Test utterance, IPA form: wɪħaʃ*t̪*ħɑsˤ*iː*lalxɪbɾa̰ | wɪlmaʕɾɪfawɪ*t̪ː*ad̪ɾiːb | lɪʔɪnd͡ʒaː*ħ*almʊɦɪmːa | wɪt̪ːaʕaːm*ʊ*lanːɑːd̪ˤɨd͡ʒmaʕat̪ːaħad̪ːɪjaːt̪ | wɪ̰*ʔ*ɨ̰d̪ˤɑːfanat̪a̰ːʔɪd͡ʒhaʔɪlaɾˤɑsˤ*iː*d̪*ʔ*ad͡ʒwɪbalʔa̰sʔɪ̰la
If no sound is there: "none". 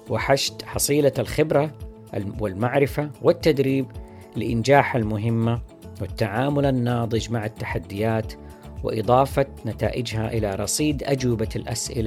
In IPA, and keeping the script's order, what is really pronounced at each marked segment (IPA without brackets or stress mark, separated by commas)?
t̪, iː, t̪ː, ħ, ʊ, ʔ, iː, ʔ